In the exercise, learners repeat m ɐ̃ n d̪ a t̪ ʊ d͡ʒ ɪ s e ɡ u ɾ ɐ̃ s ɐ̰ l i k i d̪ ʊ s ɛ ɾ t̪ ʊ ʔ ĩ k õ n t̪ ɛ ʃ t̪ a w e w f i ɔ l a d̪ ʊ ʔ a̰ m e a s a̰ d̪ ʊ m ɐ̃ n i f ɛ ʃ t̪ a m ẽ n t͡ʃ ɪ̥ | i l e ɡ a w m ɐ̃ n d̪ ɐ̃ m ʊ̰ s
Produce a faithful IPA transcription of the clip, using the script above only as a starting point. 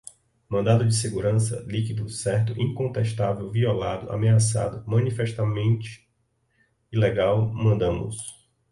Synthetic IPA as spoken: m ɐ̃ n d̪ a d̪ ʊ d͡ʒ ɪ s e ɡ u ɾ ɐ̃ s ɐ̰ l i k i d̪ ʊ s ɛ ɾ t̪ ʊ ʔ ĩ k õ n t̪ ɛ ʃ t̪ a v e w v i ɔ l a d̪ ʊ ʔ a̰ m e a s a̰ d̪ ʊ m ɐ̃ n i f ɛ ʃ t̪ a m ẽ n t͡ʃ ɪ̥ | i l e ɡ a w m ɐ̃ n d̪ ɐ̃ m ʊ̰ s

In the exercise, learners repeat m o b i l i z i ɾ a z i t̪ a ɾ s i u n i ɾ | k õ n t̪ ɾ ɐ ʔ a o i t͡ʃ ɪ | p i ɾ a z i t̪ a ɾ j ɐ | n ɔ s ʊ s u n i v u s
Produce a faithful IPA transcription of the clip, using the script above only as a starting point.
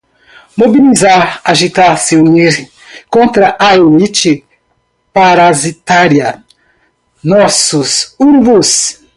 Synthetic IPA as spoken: m o b i l i z a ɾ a ʒ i t̪ a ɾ s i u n i ɾ | k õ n t̪ ɾ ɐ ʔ a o i t͡ʃ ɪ | p a ɾ a z i t̪ a ɾ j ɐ | n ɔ s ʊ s u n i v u s

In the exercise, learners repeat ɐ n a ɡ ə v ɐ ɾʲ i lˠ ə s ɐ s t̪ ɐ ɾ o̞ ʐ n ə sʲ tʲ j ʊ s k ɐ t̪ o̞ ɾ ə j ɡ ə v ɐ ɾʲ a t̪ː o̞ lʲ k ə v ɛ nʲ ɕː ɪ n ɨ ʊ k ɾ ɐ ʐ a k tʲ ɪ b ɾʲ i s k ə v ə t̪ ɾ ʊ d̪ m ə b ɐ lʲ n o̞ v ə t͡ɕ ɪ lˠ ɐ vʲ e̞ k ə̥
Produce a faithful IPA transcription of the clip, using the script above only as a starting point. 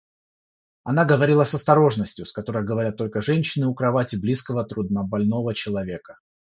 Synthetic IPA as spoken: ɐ n a ɡ ə v ɐ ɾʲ i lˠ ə s ɐ s t̪ ɐ ɾ o̞ ʐ n ə sʲ tʲ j ʊ s k ɐ t̪ o̞ ɾ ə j ɡ ə v ɐ ɾʲ a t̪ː o̞ lʲ k ə ʐ ɛ nʲ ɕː ɪ n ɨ ʊ k ɾ ɐ v a tʲ ɪ b lʲ i s k ə v ə t̪ ɾ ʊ d̪ n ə b ɐ lʲ n o̞ v ə t͡ɕ ɪ lˠ ɐ vʲ e̞ k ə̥

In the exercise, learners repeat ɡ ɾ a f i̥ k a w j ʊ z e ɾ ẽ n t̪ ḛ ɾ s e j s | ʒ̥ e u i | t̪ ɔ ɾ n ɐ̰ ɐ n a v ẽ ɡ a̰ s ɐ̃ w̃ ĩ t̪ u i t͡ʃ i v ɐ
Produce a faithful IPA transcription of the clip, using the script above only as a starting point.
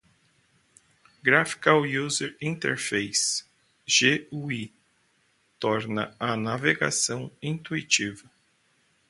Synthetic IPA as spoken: ɡ ɾ a f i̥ k a w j u z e ɾ ĩ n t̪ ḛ ɾ f e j s | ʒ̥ e u i | t̪ ɔ ɾ n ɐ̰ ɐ n a v e ɡ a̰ s ɐ̃ w̃ ĩ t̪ u i t͡ʃ i v ɐ

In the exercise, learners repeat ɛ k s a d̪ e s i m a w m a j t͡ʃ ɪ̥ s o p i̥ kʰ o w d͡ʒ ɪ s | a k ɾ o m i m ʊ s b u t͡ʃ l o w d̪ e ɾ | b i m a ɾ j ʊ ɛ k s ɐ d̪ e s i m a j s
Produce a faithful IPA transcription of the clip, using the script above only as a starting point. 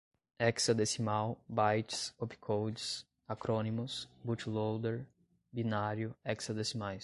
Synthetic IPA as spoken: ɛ k s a d̪ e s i m a w b a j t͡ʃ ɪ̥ s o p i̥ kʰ o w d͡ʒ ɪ s | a k ɾ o n i m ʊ s b u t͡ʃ l o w d̪ e ɾ | b i n a ɾ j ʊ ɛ k s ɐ d̪ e s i m a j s

